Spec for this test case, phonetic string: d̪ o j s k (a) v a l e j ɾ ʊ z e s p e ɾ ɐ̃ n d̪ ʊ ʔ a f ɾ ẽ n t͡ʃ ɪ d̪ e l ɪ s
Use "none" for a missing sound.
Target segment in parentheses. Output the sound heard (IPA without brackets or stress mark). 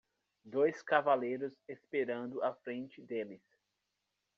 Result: a